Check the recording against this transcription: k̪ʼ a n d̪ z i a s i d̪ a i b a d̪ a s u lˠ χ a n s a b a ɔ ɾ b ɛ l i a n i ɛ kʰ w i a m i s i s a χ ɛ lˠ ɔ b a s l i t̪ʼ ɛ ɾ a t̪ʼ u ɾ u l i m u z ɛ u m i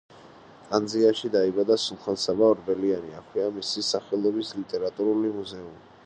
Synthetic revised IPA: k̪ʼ a n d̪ z i a ʃ i d̪ a i b a d̪ a s u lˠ χ a n s a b a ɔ ɾ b ɛ l i a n i a kʰ w i a m i s i s a χ ɛ lˠ ɔ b i s l i t̪ʼ ɛ ɾ a t̪ʼ u ɾ u l i m u z ɛ u m i